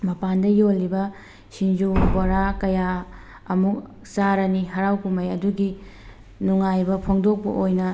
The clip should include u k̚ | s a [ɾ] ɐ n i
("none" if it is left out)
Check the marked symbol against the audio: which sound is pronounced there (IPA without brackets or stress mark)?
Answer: ɾ